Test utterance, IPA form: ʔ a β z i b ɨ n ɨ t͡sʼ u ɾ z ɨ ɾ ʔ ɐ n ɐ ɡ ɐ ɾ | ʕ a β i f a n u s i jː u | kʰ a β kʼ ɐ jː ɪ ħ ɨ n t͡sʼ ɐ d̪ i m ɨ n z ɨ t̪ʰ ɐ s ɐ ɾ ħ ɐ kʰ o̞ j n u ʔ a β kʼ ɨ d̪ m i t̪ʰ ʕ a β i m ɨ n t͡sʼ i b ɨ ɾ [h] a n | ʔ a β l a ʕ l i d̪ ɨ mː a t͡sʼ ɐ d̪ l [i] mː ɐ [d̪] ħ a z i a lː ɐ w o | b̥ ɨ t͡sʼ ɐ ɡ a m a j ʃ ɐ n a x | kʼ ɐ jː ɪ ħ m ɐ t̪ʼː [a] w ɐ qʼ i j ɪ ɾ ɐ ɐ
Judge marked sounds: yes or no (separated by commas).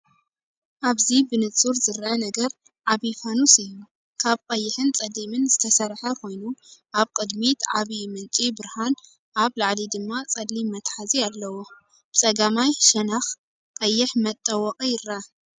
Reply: yes, yes, no, no